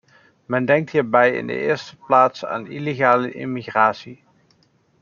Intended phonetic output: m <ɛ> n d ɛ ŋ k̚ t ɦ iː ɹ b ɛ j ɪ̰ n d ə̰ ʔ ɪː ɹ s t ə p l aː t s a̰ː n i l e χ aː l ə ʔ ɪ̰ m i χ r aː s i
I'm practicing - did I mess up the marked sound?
no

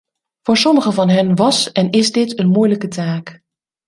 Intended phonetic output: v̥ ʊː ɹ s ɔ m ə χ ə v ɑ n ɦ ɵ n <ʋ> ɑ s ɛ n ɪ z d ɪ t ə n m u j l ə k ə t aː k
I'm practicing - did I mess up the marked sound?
no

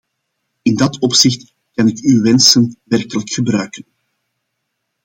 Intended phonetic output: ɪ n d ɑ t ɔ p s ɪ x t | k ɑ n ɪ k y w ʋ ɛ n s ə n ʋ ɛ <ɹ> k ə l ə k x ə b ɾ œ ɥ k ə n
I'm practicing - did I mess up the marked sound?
yes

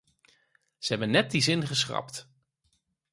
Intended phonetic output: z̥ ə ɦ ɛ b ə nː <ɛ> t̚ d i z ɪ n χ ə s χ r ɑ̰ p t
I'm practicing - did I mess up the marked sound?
no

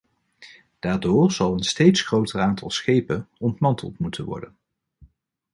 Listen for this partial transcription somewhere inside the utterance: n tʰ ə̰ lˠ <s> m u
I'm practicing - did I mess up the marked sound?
yes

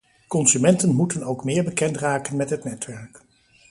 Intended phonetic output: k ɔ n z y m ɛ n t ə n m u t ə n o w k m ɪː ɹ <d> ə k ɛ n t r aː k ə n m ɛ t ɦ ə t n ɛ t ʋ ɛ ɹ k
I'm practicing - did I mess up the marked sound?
yes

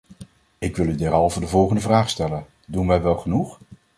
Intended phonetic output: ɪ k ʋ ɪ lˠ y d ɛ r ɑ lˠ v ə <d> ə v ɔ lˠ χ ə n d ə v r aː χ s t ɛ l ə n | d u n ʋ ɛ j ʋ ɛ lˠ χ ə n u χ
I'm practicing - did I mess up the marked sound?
no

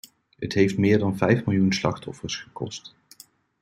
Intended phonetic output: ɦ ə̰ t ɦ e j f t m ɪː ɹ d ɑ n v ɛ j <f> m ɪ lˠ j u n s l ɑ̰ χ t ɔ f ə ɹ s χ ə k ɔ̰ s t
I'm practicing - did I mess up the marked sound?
no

